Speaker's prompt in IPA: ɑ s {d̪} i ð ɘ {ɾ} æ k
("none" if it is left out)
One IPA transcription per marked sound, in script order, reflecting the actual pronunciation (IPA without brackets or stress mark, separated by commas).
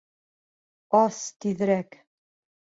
t̪, ɾ